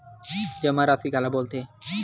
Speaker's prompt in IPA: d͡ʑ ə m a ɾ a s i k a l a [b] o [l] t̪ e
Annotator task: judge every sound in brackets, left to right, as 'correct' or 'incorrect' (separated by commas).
correct, correct